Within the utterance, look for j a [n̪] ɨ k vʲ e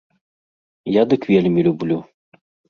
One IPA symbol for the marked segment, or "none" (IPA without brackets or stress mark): d̪